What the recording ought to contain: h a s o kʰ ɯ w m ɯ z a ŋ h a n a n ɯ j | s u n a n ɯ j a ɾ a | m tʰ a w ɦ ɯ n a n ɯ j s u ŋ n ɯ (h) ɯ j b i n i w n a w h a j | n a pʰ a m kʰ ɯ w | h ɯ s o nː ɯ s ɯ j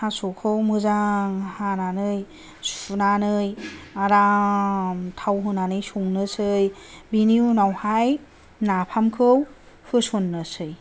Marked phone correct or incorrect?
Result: incorrect